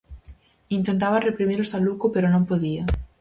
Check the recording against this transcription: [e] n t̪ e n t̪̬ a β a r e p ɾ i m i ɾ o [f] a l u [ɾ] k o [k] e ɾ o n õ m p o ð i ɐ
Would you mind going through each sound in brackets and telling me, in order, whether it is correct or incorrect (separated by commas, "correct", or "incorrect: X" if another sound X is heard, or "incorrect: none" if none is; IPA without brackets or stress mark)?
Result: incorrect: i, incorrect: s, incorrect: none, incorrect: p